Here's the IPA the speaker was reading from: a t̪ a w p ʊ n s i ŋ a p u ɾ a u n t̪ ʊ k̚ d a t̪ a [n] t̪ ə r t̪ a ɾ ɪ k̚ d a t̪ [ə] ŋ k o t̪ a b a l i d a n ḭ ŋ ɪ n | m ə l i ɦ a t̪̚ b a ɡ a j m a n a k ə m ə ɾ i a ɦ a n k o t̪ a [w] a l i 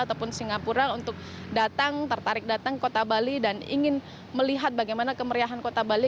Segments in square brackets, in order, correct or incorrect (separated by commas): incorrect, incorrect, incorrect